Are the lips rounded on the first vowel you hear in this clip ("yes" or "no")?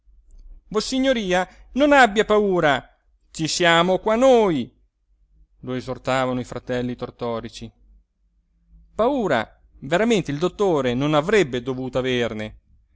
yes